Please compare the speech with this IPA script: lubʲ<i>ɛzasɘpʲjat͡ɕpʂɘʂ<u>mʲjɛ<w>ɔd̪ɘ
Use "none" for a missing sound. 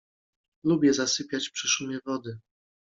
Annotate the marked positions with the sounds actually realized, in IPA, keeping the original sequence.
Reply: j, u, v

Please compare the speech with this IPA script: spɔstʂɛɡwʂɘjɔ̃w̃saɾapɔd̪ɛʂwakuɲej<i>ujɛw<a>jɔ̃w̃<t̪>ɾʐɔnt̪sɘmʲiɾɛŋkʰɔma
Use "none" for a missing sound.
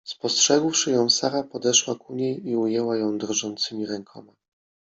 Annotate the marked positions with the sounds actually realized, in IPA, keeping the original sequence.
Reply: i, a, d̪

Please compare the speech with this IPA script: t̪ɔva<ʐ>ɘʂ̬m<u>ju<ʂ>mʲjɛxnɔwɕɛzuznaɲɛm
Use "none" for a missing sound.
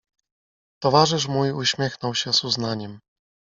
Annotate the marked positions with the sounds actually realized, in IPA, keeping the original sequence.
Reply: ʐ, u, ɕ

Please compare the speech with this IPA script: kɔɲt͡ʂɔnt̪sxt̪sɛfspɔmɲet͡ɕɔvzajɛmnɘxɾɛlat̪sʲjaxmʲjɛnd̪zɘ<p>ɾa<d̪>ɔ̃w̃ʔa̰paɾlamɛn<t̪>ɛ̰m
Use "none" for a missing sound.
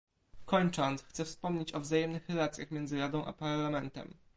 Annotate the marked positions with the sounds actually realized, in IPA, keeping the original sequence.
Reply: none, d̪, t̪

